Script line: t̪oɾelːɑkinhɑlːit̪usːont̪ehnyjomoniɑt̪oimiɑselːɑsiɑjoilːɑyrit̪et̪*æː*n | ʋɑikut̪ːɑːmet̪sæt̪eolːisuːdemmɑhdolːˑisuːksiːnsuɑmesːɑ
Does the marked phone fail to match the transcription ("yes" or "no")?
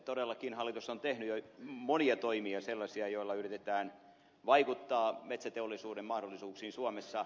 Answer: no